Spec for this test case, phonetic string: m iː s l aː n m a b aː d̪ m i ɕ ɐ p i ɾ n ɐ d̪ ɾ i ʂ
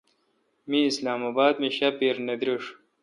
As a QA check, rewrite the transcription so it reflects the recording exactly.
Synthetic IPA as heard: m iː s l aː m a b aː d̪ m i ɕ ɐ p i ɾ n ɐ d̪ ɾ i ʂ

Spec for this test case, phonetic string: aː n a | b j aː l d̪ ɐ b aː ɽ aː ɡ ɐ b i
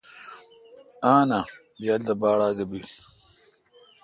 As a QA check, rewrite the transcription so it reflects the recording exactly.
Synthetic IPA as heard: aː n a | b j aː l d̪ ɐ b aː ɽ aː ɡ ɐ b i

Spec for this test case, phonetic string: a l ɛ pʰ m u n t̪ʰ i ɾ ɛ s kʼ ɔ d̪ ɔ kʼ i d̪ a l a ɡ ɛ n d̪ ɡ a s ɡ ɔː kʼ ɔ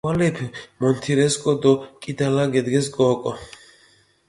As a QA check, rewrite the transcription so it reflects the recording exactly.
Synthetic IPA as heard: a l ɛ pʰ m ɔ n t̪ʰ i ɾ ɛ s kʼ ɔ d̪ ɔ kʼ i d̪ a l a ɡ ɛ d̪ ɡ ɛ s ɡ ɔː kʼ ɔ

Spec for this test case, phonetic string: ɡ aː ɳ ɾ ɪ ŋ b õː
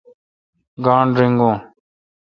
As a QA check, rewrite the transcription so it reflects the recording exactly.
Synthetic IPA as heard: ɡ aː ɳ ɾ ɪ ŋ ɡ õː

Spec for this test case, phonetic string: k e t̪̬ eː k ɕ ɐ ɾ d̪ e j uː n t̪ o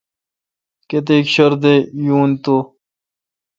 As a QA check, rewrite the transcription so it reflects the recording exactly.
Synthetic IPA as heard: k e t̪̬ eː k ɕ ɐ ɾ d̪ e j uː n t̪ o

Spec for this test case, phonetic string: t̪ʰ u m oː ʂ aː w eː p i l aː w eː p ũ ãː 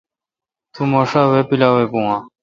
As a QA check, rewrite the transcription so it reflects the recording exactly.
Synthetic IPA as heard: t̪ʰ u m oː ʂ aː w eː p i l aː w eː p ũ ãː

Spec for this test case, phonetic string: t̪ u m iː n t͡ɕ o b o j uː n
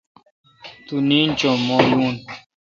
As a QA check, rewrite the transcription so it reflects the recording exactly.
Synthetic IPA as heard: t̪ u n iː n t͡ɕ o m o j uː n

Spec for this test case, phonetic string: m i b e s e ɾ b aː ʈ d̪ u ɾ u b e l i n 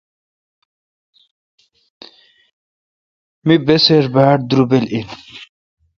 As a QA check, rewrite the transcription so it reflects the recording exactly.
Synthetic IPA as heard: m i b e s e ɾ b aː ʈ d̪ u ɾ u b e l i n

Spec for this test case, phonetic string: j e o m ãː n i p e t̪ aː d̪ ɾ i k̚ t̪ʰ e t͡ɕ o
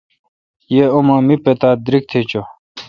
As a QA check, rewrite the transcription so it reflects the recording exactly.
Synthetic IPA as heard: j e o m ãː m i p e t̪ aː d̪ ɾ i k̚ t̪ʰ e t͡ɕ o

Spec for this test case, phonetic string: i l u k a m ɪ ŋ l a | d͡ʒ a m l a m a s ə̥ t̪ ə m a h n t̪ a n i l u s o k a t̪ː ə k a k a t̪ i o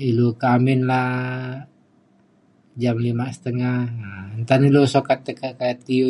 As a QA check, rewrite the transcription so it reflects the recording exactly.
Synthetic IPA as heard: i l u k a m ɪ n l a | d͡ʒ a m l i m a s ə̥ t̪ ə ŋ a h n t̪ a n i l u s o k a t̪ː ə k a k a t̪ i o

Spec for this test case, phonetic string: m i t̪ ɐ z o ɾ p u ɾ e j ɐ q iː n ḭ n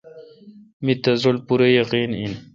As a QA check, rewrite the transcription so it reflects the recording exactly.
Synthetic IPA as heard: m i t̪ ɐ z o l p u ɾ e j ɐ q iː n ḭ n

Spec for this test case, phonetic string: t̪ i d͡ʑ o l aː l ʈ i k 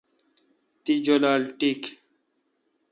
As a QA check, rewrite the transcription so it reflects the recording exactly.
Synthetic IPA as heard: t̪ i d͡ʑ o l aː l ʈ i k

